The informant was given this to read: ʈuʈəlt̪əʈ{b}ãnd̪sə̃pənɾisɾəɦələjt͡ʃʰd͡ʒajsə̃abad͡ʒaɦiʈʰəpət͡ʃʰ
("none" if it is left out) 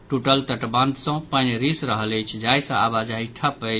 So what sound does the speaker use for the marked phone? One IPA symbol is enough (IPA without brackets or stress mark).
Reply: b